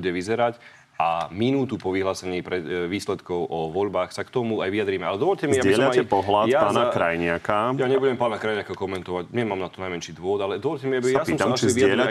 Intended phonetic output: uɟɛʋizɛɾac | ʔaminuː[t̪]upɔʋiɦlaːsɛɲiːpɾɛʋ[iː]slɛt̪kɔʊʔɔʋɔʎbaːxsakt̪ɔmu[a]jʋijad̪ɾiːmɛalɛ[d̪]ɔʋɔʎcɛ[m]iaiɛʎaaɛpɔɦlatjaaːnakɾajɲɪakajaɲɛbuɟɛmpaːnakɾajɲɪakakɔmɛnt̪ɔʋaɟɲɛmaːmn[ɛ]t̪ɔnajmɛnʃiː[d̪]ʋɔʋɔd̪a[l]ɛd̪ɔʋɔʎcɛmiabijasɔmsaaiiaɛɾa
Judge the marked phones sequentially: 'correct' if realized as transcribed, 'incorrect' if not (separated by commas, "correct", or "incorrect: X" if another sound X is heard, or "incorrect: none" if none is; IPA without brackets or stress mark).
correct, correct, correct, correct, correct, incorrect: a, correct, correct